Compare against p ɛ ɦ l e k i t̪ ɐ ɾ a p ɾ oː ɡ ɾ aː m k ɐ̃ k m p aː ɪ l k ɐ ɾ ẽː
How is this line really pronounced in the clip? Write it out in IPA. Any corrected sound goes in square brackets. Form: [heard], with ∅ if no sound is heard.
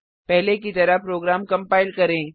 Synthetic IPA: p ɛ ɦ l e k i t̪ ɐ ɾ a p ɾ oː ɡ ɾ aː m k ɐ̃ [∅] m p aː ɪ l k ɐ ɾ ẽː